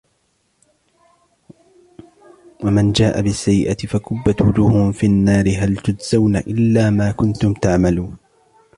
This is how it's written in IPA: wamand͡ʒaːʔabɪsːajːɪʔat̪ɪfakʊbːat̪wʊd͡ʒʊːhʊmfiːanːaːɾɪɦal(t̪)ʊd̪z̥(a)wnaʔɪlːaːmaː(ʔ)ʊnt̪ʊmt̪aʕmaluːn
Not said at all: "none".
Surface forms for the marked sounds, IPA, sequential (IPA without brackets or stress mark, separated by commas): t̪, a, k